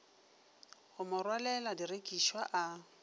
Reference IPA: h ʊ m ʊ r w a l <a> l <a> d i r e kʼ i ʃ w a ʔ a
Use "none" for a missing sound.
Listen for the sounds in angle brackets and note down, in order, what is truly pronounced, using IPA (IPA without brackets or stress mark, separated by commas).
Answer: ɛ, a